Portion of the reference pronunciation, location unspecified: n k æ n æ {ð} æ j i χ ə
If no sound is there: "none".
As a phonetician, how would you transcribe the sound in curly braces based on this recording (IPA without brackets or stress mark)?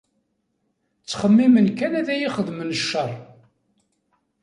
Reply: ð